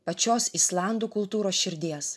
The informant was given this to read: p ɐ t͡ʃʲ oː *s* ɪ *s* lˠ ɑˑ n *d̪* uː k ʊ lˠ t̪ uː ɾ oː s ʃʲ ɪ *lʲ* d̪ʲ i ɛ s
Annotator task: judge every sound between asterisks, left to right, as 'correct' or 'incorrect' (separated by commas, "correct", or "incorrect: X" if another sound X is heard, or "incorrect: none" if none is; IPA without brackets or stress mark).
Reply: correct, correct, correct, incorrect: ɾʲ